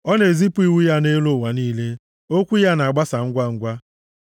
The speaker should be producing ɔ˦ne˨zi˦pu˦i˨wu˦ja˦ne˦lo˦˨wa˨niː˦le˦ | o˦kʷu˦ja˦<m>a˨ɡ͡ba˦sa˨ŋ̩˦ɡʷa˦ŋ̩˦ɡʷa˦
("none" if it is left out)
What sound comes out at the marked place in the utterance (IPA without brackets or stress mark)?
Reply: n